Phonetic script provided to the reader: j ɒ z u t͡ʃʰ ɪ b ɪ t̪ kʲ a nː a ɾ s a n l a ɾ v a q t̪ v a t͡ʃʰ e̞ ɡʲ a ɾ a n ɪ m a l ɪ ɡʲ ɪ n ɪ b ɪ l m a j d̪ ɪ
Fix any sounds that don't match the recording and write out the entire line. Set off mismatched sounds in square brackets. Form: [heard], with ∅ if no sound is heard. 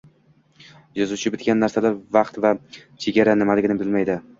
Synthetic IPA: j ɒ z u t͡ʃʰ ɪ b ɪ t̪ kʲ a nː a ɾ s a [∅] l a ɾ v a q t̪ v a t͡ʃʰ e̞ ɡʲ a ɾ a n ɪ m a l ɪ ɡʲ ɪ n ɪ b ɪ l m a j d̪ ɪ

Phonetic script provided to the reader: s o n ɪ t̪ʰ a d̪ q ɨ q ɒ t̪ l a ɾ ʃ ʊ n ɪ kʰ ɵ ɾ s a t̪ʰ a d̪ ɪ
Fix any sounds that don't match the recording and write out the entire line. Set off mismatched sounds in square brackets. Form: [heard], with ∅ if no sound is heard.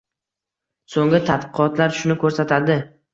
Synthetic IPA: s o [ŋ] ɪ t̪ʰ a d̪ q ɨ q ɒ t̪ l a ɾ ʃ ʊ n ɪ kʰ ɵ ɾ s a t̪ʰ a d̪ ɪ

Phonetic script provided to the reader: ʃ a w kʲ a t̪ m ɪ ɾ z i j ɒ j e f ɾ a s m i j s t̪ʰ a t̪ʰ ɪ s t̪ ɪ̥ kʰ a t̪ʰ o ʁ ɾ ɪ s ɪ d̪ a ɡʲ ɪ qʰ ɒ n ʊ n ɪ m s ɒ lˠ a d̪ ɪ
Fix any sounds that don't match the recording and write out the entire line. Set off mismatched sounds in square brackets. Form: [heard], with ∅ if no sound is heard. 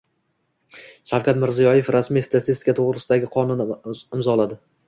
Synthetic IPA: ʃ a w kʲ a t̪ m ɪ ɾ z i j ɒ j e f ɾ a s m i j s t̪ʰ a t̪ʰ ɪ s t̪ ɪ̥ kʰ a t̪ʰ o ʁ ɾ ɪ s ɪ d̪ a ɡʲ ɪ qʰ ɒ n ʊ n ɪ m [z] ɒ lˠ a d̪ ɪ

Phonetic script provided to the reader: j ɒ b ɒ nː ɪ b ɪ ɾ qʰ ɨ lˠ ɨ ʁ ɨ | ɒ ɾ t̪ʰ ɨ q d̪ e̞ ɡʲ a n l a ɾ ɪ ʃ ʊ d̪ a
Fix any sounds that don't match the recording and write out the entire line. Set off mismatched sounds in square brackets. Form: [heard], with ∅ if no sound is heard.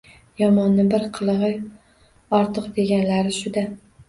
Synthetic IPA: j ɒ [m] ɒ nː ɪ b ɪ ɾ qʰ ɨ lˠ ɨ ʁ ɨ | ɒ ɾ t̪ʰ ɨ q d̪ e̞ ɡʲ a n l a ɾ ɪ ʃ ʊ d̪ a

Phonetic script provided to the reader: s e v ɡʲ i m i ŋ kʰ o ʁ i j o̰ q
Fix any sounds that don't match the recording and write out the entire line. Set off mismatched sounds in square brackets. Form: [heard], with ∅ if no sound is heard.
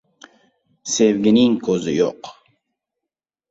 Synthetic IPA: s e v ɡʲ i [n] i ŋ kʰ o [z] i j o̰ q

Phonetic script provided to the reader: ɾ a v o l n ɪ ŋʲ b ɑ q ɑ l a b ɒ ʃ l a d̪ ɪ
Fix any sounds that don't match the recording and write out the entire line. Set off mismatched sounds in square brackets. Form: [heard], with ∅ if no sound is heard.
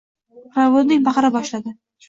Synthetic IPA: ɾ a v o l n ɪ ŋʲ b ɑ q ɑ [ɾ] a b ɒ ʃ l a d̪ ɪ

